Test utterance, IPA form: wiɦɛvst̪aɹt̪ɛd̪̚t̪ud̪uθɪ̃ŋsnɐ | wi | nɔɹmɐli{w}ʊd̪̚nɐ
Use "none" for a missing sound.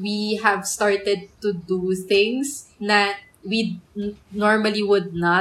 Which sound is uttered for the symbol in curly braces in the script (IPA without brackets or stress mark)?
w